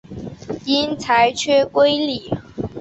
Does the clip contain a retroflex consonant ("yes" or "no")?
no